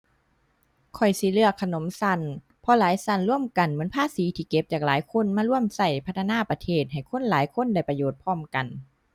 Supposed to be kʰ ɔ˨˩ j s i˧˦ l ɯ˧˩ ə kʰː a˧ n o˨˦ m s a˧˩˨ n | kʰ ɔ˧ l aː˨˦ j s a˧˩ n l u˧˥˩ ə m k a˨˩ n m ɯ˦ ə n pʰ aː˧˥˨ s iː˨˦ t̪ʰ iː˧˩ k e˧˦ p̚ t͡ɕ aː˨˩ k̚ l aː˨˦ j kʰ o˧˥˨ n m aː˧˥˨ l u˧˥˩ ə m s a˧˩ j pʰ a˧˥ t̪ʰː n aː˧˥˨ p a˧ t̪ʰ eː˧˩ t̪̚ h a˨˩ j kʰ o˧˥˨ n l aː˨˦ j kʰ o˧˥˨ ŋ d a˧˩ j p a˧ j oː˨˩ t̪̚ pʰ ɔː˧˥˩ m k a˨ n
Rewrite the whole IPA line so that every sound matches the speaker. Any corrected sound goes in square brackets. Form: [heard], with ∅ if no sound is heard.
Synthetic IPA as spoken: kʰ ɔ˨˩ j s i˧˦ l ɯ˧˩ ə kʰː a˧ n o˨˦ m s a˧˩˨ n | [pʰ] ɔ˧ l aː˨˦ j s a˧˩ n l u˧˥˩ ə m k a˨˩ n m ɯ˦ ə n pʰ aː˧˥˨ s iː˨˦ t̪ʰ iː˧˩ k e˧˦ p̚ t͡ɕ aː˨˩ k̚ l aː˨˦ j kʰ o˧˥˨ n m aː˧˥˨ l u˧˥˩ ə m s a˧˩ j pʰ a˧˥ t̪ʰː n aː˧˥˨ p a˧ t̪ʰ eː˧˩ t̪̚ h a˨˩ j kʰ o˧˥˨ n l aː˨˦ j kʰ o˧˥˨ [n] d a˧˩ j p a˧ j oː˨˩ t̪̚ pʰ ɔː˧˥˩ m k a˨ n

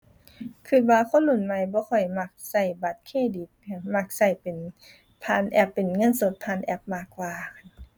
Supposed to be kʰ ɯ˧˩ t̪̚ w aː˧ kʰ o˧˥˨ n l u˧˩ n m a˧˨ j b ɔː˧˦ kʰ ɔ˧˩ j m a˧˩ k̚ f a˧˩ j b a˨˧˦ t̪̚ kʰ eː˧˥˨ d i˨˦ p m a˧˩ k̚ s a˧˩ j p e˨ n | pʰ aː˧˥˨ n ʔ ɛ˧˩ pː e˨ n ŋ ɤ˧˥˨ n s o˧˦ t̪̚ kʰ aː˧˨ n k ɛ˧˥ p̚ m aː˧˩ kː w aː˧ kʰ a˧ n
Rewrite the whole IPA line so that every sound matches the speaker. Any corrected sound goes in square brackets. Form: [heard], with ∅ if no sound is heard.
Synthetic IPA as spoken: kʰ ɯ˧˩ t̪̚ w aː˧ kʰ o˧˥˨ n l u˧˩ n m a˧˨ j b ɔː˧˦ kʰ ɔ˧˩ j m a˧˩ k̚ [s] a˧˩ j b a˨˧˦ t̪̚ kʰ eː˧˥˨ d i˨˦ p m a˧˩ k̚ s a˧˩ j p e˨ n | pʰ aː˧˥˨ n ʔ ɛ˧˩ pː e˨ n ŋ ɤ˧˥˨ n s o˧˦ t̪̚ [pʰ] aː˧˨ n [ʔ] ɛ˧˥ p̚ m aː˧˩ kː w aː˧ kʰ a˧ n

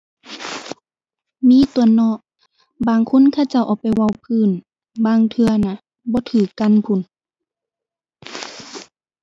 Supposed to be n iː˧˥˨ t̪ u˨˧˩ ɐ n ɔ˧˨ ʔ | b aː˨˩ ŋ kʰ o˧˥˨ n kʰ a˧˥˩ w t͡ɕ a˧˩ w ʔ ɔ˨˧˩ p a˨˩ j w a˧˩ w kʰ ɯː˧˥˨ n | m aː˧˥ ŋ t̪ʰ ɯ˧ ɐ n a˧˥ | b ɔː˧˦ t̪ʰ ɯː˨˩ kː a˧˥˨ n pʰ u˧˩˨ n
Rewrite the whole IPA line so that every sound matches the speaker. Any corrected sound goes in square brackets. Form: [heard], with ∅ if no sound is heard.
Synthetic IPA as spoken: [m] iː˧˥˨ t̪ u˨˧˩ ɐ n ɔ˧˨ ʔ | b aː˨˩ ŋ kʰ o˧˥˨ n kʰ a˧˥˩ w t͡ɕ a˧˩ w ʔ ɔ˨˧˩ p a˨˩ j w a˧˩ w [pʰ] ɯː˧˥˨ n | [b] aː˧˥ ŋ t̪ʰ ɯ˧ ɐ n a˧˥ | b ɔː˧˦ t̪ʰ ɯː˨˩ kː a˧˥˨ n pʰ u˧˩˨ n

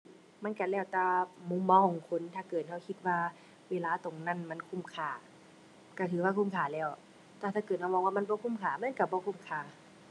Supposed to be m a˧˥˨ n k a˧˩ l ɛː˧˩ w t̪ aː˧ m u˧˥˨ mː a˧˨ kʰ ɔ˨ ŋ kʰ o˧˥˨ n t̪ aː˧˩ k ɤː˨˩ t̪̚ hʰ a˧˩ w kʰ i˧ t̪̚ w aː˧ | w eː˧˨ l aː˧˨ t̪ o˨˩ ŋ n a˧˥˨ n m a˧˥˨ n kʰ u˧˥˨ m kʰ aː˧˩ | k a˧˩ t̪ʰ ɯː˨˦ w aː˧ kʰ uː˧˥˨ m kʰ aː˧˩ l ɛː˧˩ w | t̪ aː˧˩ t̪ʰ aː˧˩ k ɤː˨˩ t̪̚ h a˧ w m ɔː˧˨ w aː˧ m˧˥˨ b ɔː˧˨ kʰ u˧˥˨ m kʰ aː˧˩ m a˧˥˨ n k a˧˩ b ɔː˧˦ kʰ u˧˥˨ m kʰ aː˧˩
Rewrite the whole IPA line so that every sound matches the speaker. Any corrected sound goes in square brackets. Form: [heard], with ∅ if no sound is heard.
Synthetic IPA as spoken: m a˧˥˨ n k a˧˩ l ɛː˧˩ w t̪ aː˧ m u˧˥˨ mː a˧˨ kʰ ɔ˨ ŋ kʰ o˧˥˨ n [t̪ʰ] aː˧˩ k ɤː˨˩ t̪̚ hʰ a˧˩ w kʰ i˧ t̪̚ w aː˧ | w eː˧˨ l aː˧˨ t̪ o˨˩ ŋ n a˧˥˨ n m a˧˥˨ n kʰ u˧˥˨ m kʰ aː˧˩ | k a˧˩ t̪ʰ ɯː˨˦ w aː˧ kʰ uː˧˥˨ m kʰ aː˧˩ l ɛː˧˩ w | t̪ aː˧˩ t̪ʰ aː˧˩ k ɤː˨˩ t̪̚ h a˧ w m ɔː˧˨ w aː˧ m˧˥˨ b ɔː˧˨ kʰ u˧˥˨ m kʰ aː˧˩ m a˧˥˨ n k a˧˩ b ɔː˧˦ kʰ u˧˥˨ m kʰ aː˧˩

